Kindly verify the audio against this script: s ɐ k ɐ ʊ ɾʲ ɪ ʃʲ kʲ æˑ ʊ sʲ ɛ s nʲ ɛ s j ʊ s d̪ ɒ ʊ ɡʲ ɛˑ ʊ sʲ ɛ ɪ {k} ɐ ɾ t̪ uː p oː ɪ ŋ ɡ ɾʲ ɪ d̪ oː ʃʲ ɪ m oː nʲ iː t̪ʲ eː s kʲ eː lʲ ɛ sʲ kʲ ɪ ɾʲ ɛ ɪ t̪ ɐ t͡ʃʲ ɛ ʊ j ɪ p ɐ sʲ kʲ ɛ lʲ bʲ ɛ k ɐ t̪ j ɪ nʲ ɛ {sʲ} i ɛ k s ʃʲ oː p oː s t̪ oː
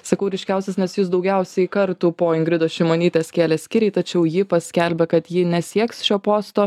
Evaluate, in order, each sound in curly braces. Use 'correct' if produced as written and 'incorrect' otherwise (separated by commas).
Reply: correct, correct